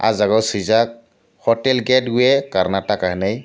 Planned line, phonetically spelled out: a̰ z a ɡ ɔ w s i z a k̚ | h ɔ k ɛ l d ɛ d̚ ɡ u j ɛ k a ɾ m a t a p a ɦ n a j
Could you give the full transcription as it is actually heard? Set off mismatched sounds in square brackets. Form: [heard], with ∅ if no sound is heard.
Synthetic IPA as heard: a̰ z a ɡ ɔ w s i z a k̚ | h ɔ [t] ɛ l [ɡ] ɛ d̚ ɡ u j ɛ k a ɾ [n] a t a [k] a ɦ n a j